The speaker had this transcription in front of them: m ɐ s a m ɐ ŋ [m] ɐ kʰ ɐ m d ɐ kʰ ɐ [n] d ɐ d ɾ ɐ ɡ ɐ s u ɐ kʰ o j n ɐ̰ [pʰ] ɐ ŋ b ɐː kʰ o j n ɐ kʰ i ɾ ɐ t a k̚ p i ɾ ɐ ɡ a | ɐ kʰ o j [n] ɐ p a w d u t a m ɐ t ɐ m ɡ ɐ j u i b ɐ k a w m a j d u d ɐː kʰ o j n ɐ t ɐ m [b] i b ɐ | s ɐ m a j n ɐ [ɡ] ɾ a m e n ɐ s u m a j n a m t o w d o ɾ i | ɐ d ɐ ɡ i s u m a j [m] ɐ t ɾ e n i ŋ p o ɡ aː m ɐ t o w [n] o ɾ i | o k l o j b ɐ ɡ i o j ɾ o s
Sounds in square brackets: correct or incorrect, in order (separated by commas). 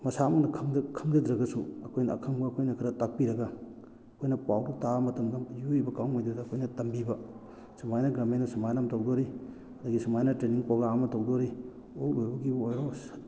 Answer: incorrect, incorrect, incorrect, correct, correct, correct, incorrect, incorrect